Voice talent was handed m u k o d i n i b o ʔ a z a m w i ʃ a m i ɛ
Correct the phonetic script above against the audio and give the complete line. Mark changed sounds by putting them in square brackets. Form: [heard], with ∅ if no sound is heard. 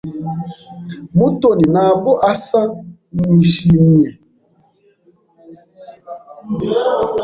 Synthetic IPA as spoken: m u [t] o [n] i n [a] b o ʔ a [s] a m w i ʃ [i] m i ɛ